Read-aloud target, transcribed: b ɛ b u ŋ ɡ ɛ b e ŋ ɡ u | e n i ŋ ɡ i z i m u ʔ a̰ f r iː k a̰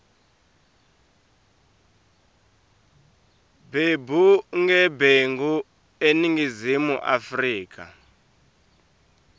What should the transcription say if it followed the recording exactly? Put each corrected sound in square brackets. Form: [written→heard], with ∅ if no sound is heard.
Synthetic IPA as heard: b [ɛ→e] b u ŋ ɡ ɛ b e ŋ ɡ u | e n i ŋ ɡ i z i m u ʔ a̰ f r iː k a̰